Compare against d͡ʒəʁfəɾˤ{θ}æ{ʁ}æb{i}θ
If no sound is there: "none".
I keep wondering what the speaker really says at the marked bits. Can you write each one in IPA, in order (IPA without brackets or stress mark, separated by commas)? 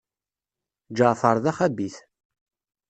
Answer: ð, χ, i